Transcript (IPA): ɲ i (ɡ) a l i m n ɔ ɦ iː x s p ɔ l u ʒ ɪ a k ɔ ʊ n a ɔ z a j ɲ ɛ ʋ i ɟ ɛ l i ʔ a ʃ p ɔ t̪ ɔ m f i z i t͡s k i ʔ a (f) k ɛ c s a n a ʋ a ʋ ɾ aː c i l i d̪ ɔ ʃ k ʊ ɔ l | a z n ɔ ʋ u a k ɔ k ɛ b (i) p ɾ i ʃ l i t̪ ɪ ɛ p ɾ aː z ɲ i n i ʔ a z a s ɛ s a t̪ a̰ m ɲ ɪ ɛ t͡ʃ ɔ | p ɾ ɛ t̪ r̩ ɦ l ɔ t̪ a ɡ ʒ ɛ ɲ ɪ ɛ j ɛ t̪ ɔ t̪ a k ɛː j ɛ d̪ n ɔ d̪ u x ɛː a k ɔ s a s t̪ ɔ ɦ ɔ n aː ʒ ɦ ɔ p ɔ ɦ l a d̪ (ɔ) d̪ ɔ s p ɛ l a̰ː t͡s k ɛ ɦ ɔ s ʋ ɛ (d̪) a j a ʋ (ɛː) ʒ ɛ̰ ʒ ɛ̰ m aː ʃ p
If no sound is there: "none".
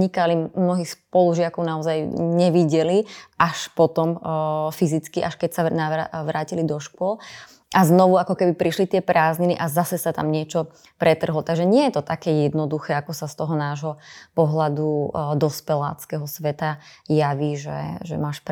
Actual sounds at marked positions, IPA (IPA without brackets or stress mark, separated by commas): k, ʃ, i, u, t̪, iː